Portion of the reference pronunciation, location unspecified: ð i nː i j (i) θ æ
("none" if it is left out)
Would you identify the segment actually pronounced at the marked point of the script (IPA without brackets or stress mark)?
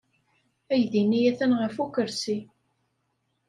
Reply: æ